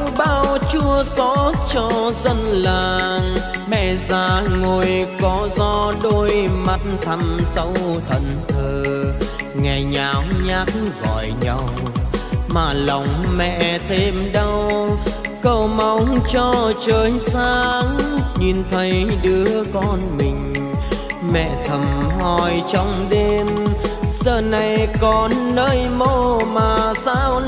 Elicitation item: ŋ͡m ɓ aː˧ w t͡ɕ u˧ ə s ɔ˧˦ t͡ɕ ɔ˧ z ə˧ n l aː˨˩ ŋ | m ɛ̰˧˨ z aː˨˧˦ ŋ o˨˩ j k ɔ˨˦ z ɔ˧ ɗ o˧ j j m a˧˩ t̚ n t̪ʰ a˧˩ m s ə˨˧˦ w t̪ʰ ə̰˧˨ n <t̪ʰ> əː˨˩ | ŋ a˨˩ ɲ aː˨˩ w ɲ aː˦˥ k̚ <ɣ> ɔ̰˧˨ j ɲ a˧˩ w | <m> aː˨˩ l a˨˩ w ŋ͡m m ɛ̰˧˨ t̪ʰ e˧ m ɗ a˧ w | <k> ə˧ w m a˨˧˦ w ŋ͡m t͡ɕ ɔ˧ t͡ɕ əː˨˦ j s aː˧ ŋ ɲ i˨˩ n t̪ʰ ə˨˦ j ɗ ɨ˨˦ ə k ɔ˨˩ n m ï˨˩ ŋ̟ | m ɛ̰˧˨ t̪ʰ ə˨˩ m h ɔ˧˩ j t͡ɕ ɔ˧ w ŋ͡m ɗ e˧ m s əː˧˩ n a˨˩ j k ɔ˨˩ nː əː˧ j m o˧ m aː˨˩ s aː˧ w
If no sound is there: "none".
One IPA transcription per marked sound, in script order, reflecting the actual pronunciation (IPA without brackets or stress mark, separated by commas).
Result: t̪ʰ, ɣ, m, k